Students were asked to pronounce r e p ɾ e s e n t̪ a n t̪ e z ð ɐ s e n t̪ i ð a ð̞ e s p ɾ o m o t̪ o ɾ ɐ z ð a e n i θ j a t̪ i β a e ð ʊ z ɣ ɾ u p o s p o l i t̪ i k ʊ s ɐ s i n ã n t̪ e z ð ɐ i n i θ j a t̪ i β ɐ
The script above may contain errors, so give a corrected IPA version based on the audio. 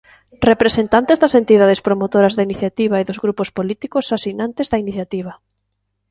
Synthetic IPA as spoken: r e p ɾ e s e n t̪ a n t̪ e z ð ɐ s e n t̪ i ð a ð̞ e s p ɾ o m o t̪ o ɾ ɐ z ð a i n i θ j a t̪ i β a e ð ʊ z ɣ ɾ u p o s p o l i t̪ i k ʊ s a s i n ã n t̪ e z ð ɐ i n i θ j a t̪ i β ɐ